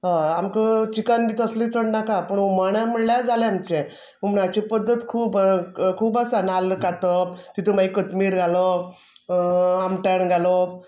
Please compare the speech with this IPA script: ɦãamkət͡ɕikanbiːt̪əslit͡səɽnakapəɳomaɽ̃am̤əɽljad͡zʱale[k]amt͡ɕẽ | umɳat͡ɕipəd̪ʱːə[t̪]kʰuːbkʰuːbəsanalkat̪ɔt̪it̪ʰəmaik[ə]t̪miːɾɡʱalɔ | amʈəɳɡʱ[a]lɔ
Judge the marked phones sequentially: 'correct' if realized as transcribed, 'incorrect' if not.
incorrect, correct, correct, correct

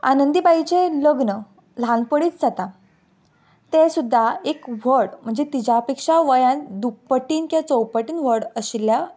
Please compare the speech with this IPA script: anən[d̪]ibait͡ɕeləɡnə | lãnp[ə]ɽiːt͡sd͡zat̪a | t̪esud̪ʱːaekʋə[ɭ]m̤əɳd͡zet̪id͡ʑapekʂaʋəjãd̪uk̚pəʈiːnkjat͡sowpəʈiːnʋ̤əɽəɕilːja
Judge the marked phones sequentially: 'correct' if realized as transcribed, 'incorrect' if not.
correct, correct, incorrect

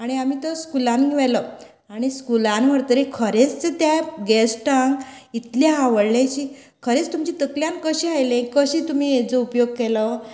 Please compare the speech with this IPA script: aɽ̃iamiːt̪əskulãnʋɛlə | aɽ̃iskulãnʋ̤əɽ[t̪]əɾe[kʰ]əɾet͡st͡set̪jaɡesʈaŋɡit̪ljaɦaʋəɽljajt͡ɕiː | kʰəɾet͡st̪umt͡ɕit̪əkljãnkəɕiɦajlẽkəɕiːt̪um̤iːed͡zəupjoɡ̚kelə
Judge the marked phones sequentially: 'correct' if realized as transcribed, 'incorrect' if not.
correct, correct

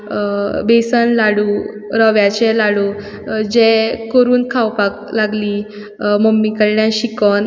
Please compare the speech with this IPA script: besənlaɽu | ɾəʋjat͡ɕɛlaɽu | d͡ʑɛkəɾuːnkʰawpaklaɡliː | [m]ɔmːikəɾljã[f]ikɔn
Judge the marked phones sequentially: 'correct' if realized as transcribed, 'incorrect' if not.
correct, incorrect

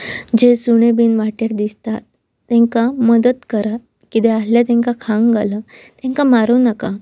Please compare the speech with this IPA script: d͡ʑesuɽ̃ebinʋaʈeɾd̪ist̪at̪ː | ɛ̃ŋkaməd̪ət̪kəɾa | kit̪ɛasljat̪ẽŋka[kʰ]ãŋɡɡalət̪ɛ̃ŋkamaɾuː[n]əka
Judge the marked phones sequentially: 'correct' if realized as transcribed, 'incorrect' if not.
correct, correct

